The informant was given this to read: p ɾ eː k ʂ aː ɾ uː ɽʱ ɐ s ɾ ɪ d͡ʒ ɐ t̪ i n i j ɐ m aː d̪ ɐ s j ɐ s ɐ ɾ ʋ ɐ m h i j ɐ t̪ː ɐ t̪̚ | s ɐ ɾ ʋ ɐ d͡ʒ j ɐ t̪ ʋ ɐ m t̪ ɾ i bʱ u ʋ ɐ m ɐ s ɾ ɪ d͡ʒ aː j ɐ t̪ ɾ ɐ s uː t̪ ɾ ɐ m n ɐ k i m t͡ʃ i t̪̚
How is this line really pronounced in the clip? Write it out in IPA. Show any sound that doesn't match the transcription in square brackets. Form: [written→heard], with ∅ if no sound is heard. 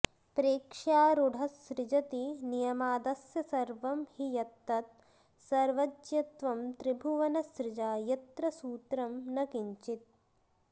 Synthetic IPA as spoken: p ɾ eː k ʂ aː ɾ [uː→u] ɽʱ ɐ s ɾ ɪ d͡ʒ ɐ t̪ i n i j ɐ m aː d̪ ɐ s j ɐ s ɐ ɾ ʋ ɐ m h i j ɐ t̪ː ɐ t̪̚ | s ɐ ɾ ʋ ɐ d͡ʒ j ɐ t̪ ʋ ɐ m t̪ ɾ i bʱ u ʋ ɐ [m→n] ɐ s ɾ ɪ d͡ʒ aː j ɐ t̪ ɾ ɐ s uː t̪ ɾ ɐ m n ɐ k i [m→ɲ] t͡ʃ i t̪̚

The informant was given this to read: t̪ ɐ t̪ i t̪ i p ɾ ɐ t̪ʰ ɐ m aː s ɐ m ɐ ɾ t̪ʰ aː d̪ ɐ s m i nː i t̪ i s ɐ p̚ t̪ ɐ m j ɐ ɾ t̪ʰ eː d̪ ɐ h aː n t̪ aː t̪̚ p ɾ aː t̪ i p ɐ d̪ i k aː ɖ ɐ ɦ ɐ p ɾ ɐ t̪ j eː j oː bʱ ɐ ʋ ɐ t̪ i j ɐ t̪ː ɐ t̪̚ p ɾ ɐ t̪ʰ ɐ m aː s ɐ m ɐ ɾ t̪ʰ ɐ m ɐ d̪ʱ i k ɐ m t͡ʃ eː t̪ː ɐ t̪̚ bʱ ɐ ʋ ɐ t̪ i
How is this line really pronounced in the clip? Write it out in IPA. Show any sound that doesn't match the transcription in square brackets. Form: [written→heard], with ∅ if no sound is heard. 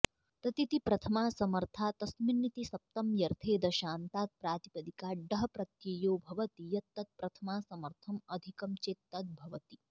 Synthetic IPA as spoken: t̪ ɐ t̪ i t̪ i p ɾ ɐ t̪ʰ ɐ m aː s ɐ m ɐ ɾ t̪ʰ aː [d̪→t̪] ɐ s m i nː i t̪ i s ɐ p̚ t̪ ɐ m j ɐ ɾ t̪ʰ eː d̪ ɐ [h→ʃ] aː n t̪ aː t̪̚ p ɾ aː t̪ i p ɐ d̪ i k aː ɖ ɐ ɦ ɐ p ɾ ɐ t̪ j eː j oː bʱ ɐ ʋ ɐ t̪ i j ɐ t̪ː ɐ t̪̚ p ɾ ɐ t̪ʰ ɐ m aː s ɐ m ɐ ɾ t̪ʰ ɐ m ɐ d̪ʱ i k ɐ m t͡ʃ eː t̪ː ɐ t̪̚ bʱ ɐ ʋ ɐ t̪ i

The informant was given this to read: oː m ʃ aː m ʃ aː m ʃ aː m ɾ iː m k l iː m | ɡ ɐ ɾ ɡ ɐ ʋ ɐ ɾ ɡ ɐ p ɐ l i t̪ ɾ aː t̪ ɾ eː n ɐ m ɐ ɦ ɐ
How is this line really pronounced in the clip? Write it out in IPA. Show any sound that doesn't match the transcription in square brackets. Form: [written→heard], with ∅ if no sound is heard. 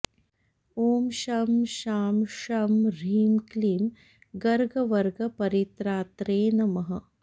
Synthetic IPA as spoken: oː m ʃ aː m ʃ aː m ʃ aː m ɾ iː m k l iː m | ɡ ɐ ɾ ɡ ɐ ʋ ɐ ɾ ɡ ɐ p ɐ [l→ɾ] i t̪ ɾ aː t̪ ɾ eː n ɐ m ɐ ɦ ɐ

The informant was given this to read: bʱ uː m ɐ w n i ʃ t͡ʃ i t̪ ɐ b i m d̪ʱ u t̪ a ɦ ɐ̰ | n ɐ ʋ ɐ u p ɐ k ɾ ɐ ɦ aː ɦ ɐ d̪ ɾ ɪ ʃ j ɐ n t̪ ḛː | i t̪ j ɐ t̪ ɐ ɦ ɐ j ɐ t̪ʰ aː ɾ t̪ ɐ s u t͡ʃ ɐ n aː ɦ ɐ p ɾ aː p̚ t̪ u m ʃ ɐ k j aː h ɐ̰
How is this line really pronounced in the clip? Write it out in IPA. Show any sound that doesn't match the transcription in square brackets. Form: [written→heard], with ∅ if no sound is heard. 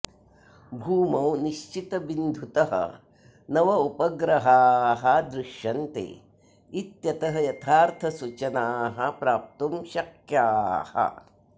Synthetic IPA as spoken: bʱ uː m ɐ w n i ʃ t͡ʃ i t̪ ɐ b i [m→n] d̪ʱ u t̪ [a→ɐ] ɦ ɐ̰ | n ɐ ʋ ɐ u p ɐ [k→ɡ] ɾ ɐ ɦ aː ɦ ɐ d̪ ɾ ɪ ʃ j ɐ n t̪ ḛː | i t̪ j ɐ t̪ ɐ ɦ ɐ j ɐ t̪ʰ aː ɾ [t̪→t̪ʰ] ɐ s u t͡ʃ ɐ n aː ɦ ɐ p ɾ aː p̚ t̪ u m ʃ ɐ k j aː h ɐ̰

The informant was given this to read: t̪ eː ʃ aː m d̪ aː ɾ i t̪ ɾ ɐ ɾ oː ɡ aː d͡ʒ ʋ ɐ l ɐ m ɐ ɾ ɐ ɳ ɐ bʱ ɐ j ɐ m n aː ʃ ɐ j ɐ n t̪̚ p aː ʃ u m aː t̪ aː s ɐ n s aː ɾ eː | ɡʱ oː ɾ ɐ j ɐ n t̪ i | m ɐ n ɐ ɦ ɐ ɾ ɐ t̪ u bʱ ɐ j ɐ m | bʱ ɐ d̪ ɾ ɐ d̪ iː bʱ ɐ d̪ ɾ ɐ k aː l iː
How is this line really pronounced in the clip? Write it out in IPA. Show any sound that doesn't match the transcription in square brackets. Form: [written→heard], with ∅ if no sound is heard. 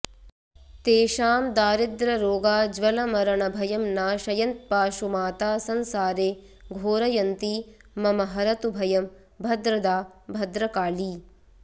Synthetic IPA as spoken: t̪ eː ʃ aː m d̪ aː ɾ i [t̪→d̪] ɾ ɐ ɾ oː ɡ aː d͡ʒ ʋ ɐ l ɐ m ɐ ɾ ɐ ɳ ɐ bʱ ɐ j ɐ m n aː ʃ ɐ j ɐ n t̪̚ p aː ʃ u m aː t̪ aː s ɐ n s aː ɾ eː | ɡʱ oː ɾ ɐ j ɐ n t̪ i | m ɐ [n→m] ɐ ɦ ɐ ɾ ɐ t̪ u bʱ ɐ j ɐ m | bʱ ɐ d̪ ɾ ɐ d̪ [iː→aː] bʱ ɐ d̪ ɾ ɐ k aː l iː

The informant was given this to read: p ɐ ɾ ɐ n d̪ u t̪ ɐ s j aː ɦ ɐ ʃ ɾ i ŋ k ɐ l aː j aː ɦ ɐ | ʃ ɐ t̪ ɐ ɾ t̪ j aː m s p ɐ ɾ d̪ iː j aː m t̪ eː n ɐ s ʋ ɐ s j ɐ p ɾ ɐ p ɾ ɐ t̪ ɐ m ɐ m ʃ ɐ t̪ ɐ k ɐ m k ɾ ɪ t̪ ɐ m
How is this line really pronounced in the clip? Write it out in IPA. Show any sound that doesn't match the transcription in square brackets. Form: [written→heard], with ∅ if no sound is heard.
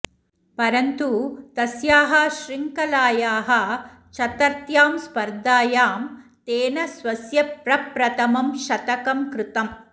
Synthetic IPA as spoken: p ɐ ɾ ɐ n [d̪→t̪] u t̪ ɐ s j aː ɦ ɐ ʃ ɾ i ŋ k ɐ l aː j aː ɦ ɐ | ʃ ɐ t̪ ɐ ɾ t̪ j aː m s p ɐ ɾ d̪ [iː→aː] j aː m t̪ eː n ɐ s ʋ ɐ s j ɐ p ɾ ɐ p ɾ ɐ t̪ ɐ m ɐ m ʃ ɐ t̪ ɐ k ɐ m k ɾ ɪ t̪ ɐ m

